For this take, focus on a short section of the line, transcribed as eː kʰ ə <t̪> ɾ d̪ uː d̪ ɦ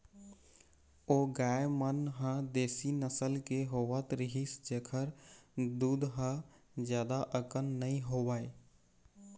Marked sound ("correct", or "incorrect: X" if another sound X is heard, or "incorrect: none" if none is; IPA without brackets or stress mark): incorrect: none